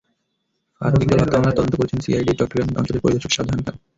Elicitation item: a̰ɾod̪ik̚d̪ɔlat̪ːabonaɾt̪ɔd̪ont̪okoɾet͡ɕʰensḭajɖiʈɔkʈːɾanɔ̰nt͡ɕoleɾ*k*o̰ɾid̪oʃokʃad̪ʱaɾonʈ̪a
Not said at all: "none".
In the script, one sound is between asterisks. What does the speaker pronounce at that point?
p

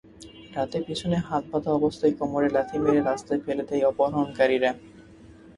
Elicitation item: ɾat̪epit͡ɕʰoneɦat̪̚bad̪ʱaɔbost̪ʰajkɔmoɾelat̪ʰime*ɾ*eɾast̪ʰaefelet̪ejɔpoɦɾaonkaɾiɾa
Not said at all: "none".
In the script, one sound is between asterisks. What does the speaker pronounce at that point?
ɾ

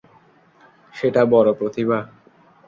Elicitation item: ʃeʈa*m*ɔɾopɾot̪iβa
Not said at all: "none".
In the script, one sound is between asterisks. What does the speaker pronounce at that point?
b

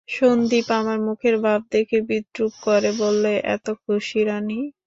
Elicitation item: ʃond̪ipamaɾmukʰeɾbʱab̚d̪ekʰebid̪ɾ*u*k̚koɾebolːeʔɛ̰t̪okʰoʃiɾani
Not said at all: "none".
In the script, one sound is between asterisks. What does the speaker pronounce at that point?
u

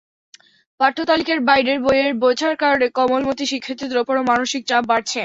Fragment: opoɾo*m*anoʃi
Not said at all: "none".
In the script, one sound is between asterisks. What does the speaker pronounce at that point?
m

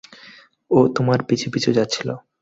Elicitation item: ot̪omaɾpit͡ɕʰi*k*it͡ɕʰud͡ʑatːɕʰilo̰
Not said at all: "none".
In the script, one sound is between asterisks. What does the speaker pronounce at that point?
p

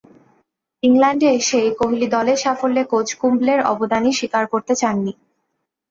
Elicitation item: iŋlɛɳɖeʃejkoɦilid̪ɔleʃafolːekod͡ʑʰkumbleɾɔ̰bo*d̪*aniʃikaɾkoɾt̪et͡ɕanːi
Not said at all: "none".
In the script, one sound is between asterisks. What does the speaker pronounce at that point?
d̪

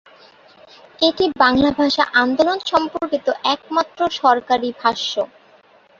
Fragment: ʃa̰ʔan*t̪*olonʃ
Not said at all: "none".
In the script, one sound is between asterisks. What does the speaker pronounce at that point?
d̪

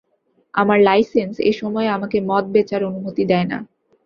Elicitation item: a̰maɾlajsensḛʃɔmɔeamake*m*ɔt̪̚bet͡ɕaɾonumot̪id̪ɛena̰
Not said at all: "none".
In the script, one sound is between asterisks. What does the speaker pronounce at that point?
m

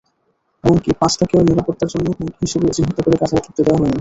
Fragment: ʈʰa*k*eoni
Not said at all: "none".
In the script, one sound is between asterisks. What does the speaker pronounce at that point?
k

